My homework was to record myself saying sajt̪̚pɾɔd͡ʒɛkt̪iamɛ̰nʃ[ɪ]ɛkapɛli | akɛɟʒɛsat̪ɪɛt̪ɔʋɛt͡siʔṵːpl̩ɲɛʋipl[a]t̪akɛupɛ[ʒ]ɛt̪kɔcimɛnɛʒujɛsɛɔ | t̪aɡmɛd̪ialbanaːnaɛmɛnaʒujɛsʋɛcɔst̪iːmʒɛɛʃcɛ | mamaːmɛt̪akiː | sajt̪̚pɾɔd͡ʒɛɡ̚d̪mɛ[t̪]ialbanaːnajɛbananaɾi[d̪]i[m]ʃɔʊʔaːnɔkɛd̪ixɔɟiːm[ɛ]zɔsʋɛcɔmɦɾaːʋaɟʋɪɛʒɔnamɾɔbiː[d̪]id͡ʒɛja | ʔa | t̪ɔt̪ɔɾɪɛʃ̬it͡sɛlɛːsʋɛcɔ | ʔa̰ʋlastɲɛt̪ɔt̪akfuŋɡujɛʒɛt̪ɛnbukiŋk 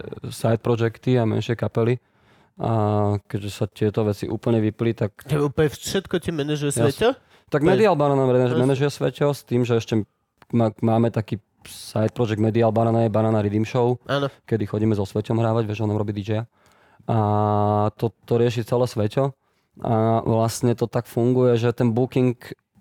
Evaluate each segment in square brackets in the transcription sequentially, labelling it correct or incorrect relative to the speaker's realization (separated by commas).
correct, incorrect, incorrect, incorrect, correct, correct, correct, correct